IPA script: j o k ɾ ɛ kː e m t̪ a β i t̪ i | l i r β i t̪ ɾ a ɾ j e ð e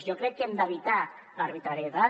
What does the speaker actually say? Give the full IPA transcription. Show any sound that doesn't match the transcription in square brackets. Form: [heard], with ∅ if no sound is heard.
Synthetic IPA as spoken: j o k ɾ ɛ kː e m [d̪] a β i t̪ [a] | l [a] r β i t̪ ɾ a ɾ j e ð [a]